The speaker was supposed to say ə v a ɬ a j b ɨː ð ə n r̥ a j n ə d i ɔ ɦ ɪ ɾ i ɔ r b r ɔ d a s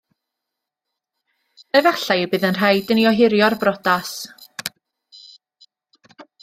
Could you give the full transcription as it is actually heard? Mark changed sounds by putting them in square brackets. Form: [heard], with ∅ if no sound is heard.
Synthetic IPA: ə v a ɬ a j b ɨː ð ə n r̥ a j [d] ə [n] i ɔ ɦ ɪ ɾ [j] ɔ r b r ɔ d a s